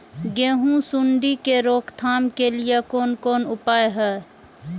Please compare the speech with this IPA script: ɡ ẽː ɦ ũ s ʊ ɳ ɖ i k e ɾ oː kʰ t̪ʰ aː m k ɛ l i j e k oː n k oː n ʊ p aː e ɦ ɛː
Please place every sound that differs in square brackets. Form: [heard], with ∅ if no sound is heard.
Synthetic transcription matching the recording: ɡ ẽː ɦ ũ s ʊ ɳ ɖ i k e ɾ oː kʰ t̪ʰ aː m k [e] l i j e k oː n k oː n ʊ p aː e ɦ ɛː